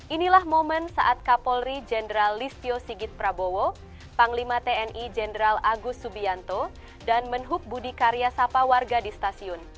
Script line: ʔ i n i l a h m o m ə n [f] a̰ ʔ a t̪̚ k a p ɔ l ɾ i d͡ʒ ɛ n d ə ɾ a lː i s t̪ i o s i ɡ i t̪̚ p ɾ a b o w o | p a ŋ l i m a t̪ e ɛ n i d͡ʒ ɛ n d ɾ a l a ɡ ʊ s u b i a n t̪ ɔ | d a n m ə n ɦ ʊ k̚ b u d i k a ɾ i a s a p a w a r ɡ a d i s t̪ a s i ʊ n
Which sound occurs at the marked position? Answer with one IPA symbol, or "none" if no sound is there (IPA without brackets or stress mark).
s